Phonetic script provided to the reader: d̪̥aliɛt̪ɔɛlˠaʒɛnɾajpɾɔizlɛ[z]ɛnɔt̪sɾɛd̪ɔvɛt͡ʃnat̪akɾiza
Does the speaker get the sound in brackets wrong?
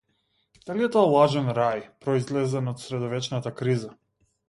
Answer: no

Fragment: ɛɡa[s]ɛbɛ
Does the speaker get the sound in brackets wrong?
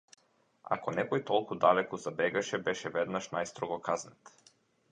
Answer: yes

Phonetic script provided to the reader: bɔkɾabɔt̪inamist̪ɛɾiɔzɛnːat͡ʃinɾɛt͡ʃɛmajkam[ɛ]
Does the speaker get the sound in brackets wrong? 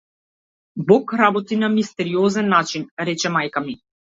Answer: yes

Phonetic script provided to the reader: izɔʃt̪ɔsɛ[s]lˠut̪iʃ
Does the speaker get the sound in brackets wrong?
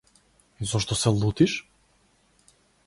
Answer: yes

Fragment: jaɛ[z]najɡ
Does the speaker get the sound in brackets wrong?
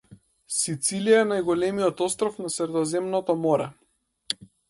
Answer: yes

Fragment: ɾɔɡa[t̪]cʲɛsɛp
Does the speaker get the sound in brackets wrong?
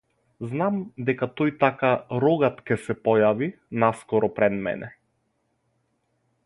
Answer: no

